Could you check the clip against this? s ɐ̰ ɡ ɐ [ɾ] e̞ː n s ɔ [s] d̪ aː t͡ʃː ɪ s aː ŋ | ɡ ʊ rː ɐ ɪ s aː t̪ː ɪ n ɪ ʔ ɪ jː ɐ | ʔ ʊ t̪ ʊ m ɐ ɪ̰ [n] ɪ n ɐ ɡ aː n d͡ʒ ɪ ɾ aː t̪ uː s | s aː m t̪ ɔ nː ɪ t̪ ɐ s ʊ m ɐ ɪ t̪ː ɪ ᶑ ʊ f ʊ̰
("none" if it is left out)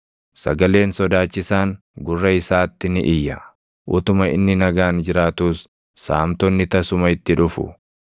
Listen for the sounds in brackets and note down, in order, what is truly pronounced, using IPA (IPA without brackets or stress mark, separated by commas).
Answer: l, none, nː